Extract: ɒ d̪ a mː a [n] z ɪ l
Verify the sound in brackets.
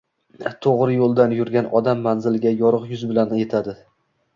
correct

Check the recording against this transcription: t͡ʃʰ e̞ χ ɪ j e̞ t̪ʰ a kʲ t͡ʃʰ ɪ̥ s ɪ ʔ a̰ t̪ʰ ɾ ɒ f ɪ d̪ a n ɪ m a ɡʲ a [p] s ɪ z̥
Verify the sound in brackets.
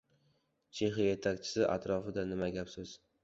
correct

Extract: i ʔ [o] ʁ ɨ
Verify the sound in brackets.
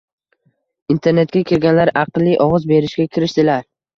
incorrect: ɒ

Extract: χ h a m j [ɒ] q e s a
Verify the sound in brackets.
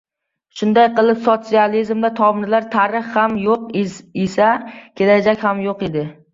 incorrect: o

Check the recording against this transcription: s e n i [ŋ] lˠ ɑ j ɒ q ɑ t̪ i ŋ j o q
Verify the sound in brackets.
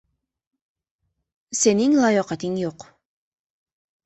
correct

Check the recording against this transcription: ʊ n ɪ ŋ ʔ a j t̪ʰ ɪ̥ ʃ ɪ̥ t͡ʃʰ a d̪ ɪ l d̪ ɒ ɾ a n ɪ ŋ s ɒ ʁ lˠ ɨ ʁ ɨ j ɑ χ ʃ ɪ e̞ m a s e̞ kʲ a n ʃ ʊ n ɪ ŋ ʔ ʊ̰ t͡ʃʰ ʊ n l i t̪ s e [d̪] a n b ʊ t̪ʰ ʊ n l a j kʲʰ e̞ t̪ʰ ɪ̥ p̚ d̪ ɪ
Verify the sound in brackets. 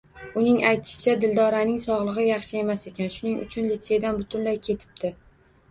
correct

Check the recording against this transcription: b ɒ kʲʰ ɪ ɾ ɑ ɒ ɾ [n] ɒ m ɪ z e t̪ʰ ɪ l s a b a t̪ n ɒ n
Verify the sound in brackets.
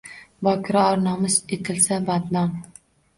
correct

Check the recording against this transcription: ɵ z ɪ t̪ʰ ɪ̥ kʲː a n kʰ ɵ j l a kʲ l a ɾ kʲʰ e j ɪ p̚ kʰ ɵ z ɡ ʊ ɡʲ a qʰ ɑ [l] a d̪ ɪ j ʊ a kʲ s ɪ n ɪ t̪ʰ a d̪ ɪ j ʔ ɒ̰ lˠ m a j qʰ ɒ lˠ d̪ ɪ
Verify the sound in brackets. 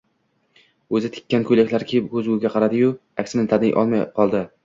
incorrect: ɾ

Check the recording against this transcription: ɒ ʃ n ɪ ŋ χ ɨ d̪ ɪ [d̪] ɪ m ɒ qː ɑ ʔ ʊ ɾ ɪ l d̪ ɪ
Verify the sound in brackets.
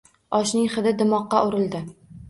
correct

